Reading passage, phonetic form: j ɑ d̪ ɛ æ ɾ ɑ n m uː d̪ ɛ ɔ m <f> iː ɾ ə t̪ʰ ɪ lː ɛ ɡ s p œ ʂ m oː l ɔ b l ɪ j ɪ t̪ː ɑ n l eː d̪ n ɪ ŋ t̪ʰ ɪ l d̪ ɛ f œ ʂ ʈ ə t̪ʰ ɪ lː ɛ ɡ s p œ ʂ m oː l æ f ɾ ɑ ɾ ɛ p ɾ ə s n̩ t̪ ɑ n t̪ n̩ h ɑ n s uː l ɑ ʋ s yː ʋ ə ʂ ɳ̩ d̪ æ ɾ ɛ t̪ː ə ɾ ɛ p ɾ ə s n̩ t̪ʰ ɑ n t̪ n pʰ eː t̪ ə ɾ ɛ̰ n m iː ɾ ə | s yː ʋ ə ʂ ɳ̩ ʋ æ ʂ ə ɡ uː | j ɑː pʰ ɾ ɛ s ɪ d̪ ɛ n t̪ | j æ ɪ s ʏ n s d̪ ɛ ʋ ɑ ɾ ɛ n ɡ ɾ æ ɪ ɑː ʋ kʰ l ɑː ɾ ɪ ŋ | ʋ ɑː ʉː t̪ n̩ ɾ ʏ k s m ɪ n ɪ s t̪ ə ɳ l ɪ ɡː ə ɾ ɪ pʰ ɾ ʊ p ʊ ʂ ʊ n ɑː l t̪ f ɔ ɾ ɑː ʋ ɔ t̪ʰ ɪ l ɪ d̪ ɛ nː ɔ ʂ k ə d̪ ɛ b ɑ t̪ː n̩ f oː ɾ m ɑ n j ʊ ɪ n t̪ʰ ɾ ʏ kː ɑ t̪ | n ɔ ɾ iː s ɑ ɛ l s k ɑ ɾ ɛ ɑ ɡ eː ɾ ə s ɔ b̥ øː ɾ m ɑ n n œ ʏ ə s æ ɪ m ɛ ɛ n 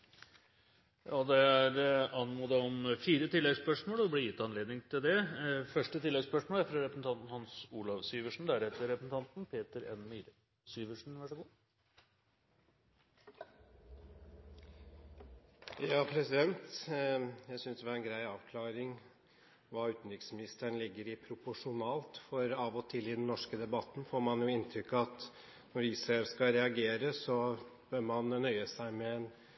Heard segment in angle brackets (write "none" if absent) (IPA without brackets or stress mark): f